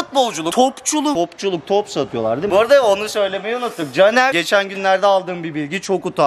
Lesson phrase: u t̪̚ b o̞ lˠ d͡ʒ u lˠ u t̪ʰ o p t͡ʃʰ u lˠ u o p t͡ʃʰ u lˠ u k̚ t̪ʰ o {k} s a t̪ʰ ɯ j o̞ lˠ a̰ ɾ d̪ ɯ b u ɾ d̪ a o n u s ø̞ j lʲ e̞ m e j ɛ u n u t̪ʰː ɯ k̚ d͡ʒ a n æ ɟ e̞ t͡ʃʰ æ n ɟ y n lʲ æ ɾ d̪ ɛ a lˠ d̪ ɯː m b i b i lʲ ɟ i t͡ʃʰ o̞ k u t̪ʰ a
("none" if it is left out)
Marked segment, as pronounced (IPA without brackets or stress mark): p